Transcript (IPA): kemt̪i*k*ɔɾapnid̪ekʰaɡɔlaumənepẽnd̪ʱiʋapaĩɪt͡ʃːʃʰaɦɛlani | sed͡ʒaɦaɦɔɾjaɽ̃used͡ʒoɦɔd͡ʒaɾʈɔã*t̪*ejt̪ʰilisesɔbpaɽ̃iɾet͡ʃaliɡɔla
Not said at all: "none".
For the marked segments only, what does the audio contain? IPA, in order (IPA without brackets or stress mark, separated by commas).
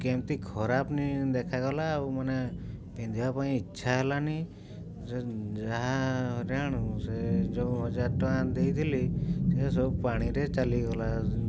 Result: kʰ, d̪